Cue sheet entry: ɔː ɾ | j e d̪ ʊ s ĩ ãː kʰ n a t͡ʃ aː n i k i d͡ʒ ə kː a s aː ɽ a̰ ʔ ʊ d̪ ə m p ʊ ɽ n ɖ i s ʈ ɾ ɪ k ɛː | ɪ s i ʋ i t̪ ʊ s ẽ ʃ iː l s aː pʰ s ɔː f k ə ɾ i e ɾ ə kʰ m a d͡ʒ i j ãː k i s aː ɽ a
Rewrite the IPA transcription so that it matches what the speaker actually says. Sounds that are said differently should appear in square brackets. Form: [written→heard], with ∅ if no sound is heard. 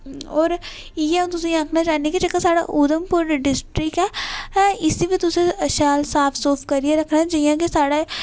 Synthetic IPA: ɔː ɾ | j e [d̪→t̪] ʊ s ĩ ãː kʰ n a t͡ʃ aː n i k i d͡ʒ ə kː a s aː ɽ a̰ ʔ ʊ d̪ ə m p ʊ [ɽ→ɾ] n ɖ [i→ɪ] s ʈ ɾ ɪ k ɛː | ɪ s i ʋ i t̪ ʊ s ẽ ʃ [iː→aː] l s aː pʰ s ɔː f k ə ɾ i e ɾ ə kʰ [m→n] a d͡ʒ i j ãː k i s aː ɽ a